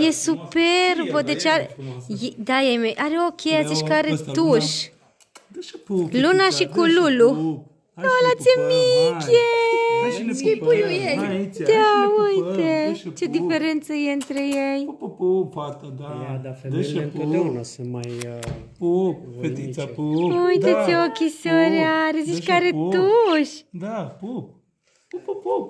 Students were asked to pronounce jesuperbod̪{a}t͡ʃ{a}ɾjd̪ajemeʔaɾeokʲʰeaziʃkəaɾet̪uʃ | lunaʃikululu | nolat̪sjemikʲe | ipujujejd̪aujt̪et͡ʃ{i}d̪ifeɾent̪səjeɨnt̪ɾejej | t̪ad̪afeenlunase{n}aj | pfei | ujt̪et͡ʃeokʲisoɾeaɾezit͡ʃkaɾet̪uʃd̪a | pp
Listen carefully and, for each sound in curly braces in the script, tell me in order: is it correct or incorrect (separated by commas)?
incorrect, correct, incorrect, incorrect